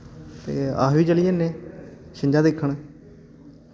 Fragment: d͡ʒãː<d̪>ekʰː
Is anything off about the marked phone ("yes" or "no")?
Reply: no